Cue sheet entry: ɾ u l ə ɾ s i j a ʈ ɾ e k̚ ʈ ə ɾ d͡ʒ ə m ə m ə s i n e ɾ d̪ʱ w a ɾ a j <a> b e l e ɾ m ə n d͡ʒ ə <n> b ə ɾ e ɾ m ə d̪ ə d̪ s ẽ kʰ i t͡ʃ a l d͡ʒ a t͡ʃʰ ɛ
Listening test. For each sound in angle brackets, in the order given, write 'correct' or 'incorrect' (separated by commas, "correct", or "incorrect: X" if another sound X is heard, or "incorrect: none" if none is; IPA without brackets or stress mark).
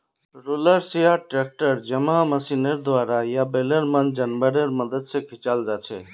correct, correct